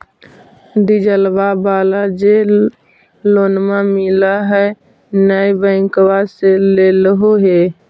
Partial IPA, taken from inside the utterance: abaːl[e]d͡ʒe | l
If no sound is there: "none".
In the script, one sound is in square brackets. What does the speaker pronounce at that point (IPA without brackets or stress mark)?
a